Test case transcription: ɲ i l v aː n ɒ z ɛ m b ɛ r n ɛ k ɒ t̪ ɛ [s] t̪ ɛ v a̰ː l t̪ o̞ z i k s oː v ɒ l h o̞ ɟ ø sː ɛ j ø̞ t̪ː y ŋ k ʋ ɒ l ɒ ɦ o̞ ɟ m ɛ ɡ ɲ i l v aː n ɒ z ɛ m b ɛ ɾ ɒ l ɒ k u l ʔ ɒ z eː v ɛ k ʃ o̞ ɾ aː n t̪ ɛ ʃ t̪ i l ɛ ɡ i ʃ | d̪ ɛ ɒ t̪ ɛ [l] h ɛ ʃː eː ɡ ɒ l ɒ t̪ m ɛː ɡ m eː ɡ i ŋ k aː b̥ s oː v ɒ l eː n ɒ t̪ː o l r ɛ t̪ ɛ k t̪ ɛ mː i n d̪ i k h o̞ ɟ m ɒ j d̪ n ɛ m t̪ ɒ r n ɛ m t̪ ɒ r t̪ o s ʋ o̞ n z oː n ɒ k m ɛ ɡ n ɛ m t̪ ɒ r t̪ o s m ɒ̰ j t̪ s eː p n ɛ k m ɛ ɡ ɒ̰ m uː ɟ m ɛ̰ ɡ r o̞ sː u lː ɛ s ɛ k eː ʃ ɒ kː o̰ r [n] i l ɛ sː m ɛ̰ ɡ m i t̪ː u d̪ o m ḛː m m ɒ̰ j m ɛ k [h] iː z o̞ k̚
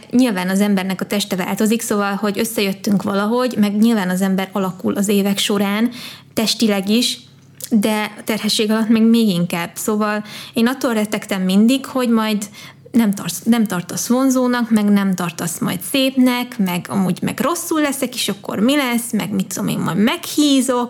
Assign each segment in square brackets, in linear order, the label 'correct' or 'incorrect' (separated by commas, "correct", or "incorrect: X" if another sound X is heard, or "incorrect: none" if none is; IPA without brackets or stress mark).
incorrect: ʃ, incorrect: r, incorrect: m, correct